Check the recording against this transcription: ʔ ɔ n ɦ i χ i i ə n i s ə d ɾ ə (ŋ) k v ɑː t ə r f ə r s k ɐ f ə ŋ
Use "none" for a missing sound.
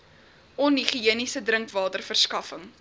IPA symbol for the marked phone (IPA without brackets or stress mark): ŋ